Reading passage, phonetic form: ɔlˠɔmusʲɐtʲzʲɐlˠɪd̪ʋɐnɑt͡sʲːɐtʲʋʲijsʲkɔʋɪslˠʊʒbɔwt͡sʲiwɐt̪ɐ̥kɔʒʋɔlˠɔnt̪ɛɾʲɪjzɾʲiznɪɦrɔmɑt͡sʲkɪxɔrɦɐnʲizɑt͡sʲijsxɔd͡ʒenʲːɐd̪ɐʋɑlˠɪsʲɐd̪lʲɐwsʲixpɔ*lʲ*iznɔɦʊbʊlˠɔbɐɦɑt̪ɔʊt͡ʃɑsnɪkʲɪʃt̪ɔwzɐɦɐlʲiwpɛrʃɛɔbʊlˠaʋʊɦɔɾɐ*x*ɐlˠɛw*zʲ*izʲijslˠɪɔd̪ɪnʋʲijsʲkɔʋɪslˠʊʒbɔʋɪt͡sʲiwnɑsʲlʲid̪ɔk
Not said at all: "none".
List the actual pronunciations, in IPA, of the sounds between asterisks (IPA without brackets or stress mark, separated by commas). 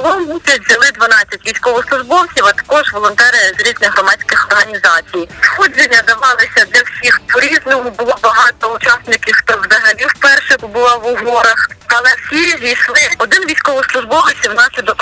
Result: ɾʲ, x, sʲ